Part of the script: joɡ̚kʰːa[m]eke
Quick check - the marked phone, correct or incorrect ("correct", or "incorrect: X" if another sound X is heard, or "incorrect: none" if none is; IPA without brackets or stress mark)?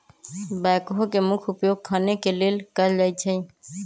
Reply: incorrect: n